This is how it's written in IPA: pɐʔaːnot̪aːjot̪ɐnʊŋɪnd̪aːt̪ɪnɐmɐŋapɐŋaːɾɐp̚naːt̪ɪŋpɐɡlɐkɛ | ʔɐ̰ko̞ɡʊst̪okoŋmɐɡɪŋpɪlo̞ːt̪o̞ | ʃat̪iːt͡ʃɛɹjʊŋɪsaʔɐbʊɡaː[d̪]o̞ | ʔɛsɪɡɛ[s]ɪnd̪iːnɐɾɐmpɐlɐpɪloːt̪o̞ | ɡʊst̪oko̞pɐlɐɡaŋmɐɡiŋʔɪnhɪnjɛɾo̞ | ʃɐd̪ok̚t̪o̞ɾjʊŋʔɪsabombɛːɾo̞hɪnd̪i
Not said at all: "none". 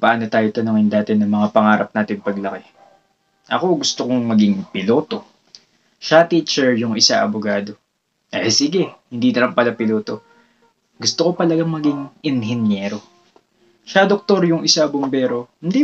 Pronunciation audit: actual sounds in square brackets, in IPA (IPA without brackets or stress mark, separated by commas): d̪, h